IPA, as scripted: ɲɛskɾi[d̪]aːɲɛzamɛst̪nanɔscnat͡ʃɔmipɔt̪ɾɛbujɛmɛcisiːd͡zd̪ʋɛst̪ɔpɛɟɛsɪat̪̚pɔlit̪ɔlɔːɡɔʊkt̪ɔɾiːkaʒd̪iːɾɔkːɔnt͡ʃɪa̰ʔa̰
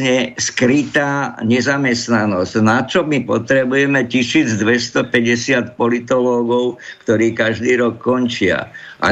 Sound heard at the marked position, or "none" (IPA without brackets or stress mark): t̪